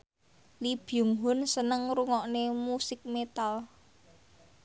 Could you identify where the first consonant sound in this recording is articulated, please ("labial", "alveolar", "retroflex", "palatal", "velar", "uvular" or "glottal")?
alveolar